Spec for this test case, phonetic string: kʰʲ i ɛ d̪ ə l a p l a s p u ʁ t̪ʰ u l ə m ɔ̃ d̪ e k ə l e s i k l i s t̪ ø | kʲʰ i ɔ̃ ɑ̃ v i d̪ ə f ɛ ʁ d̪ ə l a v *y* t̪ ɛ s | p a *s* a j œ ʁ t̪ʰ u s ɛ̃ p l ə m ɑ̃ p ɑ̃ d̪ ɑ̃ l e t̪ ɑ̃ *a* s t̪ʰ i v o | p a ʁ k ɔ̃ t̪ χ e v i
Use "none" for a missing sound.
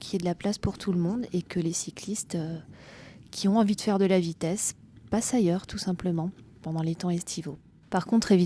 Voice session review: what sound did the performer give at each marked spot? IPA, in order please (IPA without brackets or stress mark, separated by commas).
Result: i, s, ɛ